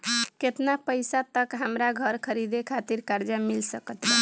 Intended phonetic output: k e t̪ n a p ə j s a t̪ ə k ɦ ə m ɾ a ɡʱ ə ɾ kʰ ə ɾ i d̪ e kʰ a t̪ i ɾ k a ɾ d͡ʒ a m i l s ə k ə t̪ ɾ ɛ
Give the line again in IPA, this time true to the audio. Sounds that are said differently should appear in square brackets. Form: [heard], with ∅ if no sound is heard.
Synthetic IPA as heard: k e t̪ n a p ə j s a t̪ ə k ɦ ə m ɾ a ɡʱ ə ɾ kʰ ə ɾ i d̪ e kʰ a t̪ i ɾ k a ɾ d͡ʒ a m i l s ə k ə t̪ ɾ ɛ